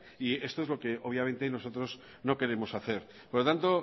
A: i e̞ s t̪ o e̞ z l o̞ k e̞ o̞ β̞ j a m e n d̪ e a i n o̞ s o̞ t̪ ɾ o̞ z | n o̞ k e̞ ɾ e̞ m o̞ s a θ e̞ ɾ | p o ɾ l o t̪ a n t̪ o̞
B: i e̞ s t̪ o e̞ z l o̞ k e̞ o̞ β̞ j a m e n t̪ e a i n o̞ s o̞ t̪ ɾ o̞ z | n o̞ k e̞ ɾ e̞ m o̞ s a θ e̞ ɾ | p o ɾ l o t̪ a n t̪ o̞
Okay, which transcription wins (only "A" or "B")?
B